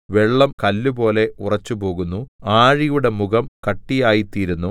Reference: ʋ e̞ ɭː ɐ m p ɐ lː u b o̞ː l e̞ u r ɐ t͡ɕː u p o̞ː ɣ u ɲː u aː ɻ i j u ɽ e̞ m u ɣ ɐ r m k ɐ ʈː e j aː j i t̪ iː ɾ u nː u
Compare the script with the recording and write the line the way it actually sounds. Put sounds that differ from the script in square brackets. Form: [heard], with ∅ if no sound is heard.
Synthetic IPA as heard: ʋ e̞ ɭː ɐ m [k] ɐ lː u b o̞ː l e̞ u r ɐ t͡ɕː u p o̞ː ɣ u [nː] u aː ɻ i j u ɽ e̞ m u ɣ ɐ [∅] m k ɐ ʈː [i] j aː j i t̪ iː ɾ u nː u